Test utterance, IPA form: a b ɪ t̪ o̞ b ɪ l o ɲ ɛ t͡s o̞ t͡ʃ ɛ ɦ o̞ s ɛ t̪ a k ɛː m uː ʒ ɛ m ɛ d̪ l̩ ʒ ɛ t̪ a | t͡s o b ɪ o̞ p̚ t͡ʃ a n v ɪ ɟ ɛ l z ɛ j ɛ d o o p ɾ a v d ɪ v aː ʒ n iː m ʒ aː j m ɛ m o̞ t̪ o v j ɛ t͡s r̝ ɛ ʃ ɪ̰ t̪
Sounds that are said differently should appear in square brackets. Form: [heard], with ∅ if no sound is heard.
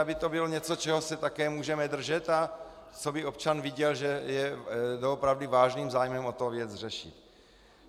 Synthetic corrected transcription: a b ɪ t̪ o̞ b ɪ l o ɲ ɛ t͡s o̞ t͡ʃ ɛ ɦ o̞ s ɛ t̪ a k ɛː m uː ʒ ɛ m ɛ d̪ [r̩] ʒ ɛ t̪ a | t͡s o b ɪ o̞ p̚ t͡ʃ a n v ɪ ɟ ɛ l [ʒ] ɛ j ɛ d o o p ɾ a v d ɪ v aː ʒ n iː m [z] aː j m ɛ m o̞ t̪ o v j ɛ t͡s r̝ ɛ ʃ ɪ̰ t̪